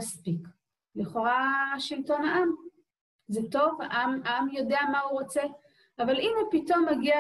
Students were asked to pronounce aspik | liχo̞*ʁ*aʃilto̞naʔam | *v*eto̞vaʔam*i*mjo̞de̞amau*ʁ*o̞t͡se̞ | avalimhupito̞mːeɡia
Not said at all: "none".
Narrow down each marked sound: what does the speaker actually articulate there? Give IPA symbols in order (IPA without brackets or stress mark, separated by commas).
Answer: ʁ, z, a, ʁ